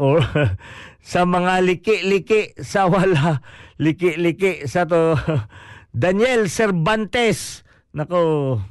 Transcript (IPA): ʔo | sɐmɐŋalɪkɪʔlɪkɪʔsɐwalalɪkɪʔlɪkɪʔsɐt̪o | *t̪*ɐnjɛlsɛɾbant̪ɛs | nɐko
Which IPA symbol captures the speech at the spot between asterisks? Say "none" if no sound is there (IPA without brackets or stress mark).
d̪